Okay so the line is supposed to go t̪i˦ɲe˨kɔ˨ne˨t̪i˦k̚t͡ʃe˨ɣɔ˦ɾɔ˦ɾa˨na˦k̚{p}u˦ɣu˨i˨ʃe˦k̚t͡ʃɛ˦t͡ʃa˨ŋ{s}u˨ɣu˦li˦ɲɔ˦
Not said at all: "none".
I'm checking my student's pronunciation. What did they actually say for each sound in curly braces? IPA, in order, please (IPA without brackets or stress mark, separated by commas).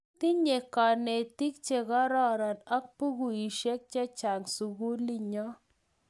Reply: p, s